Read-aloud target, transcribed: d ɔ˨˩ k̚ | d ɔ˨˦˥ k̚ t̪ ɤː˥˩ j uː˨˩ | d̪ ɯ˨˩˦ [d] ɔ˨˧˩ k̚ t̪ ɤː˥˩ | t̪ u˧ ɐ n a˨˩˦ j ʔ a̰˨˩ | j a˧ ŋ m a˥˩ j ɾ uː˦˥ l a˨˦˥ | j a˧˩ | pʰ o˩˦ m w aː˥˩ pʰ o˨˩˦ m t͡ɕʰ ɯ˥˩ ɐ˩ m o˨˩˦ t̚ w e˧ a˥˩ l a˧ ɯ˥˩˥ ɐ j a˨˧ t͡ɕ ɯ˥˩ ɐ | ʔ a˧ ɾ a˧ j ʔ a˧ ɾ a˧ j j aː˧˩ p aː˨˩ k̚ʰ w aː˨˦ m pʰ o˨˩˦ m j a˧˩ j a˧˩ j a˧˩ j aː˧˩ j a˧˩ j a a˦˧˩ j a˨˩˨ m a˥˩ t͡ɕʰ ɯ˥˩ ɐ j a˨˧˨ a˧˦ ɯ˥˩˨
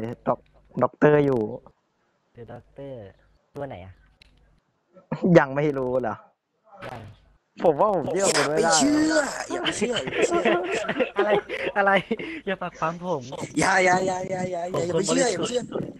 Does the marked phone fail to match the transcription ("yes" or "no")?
no